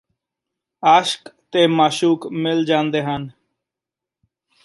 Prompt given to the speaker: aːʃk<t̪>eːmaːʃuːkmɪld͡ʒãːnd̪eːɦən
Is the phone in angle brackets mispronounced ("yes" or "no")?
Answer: no